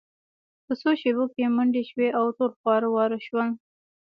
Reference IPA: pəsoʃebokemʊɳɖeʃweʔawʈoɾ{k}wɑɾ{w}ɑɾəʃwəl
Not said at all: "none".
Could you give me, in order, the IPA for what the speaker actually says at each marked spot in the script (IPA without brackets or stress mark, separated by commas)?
x, w